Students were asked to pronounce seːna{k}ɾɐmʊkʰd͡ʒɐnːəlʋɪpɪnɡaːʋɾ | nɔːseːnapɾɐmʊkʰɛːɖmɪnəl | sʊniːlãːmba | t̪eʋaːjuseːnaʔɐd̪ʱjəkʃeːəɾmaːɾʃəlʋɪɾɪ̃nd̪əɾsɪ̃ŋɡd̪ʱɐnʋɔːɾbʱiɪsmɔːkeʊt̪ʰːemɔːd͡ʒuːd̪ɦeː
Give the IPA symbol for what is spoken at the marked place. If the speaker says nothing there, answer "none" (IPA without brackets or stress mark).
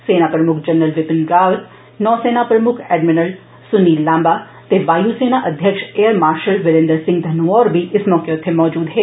p